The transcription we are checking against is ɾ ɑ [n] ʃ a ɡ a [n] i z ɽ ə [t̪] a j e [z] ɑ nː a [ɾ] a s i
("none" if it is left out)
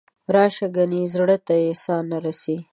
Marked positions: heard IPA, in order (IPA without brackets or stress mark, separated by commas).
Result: none, n, t̪, s, ɾ